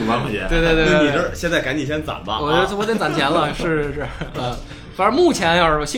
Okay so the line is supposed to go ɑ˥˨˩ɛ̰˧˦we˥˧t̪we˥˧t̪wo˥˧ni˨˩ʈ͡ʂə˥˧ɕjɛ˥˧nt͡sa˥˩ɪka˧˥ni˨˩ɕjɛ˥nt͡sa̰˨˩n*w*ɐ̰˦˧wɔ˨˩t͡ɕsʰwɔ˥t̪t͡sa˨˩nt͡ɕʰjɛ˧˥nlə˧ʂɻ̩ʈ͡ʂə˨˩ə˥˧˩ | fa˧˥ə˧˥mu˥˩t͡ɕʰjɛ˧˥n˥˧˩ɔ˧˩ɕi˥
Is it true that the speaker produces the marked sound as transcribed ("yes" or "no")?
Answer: no